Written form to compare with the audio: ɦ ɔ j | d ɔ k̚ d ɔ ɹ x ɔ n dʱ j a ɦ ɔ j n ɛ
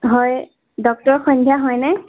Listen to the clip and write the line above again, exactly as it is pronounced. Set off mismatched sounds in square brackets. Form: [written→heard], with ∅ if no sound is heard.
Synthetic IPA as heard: ɦ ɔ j | d ɔ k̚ [d→t] ɔ ɹ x ɔ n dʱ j a ɦ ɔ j n ɛ